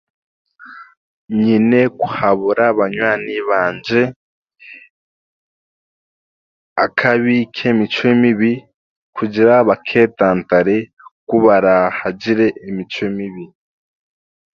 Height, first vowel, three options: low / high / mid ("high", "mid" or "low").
high